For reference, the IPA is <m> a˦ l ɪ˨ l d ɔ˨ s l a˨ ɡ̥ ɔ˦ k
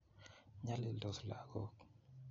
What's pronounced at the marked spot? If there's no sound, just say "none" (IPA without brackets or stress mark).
ɲ